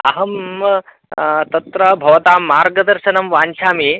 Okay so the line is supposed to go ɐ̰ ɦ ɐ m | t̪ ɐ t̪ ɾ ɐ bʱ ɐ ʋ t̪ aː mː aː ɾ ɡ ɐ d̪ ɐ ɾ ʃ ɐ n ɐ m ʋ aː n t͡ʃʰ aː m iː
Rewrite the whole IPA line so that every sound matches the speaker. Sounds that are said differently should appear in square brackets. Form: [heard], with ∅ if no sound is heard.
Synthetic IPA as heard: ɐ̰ ɦ ɐ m | t̪ ɐ t̪ ɾ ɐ bʱ ɐ ʋ t̪ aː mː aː ɾ ɡ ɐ d̪ ɐ ɾ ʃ ɐ n ɐ m ʋ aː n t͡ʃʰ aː m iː